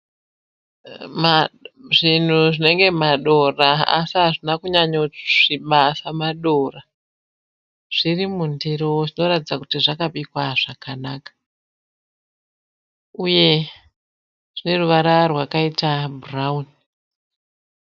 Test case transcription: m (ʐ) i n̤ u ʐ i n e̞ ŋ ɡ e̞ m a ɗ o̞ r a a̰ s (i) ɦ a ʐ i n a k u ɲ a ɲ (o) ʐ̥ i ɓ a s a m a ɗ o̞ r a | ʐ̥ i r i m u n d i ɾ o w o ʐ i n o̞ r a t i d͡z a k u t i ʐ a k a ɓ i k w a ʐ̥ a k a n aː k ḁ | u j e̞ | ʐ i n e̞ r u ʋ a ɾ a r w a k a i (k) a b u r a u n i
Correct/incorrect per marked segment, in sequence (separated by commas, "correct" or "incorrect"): correct, correct, correct, incorrect